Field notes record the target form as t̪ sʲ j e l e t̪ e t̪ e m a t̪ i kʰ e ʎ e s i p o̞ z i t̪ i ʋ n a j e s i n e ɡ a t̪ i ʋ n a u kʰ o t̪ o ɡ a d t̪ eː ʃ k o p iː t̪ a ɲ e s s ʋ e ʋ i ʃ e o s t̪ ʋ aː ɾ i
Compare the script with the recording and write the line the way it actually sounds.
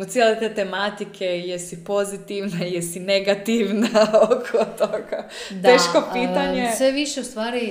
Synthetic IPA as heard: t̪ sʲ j e l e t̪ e t̪ e m a t̪ i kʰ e j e s i p o̞ z i t̪ i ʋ n a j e s i n e ɡ a t̪ i ʋ n a o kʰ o t̪ o ɡ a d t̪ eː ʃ k o p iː t̪ a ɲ e s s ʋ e ʋ i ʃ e u s t̪ ʋ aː ɾ i